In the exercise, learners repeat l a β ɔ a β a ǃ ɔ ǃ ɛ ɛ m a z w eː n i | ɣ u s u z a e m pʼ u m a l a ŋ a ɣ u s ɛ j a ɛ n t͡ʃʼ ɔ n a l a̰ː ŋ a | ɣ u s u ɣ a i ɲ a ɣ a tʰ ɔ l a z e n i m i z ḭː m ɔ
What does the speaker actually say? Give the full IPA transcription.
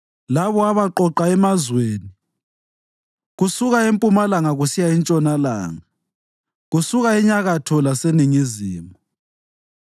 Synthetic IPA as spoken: l a β ɔ a β a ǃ ɔ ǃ a ɛ m a z w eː n i | ɣ u s u ɣ a e m pʼ u m a l a ŋ a ɣ u s i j a i n t͡ʃʼ ɔ n a l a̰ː ŋ a | ɣ u s u ɣ a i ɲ a ɣ a tʰ ɔ l a s e n i ŋ i z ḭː m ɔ